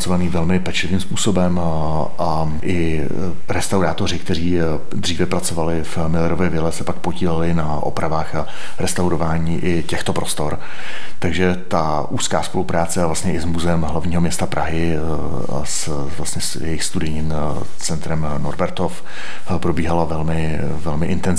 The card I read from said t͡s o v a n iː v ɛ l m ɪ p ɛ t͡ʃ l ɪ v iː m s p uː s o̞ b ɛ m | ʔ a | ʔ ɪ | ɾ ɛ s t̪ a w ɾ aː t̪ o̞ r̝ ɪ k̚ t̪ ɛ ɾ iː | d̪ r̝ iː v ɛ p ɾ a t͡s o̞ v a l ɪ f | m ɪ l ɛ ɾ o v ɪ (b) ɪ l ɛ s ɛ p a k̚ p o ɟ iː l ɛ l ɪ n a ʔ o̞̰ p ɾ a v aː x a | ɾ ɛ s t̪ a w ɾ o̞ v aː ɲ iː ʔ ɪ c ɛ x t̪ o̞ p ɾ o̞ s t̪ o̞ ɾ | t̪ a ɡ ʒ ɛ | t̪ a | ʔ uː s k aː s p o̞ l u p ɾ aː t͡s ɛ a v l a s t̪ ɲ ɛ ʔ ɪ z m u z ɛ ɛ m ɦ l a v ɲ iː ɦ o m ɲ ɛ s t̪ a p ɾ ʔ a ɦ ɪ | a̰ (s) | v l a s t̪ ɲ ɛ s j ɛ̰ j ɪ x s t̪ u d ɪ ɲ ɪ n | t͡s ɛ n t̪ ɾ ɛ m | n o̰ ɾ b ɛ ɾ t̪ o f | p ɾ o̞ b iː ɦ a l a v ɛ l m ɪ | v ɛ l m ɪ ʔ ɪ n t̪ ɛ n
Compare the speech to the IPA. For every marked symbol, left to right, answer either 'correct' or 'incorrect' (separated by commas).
incorrect, correct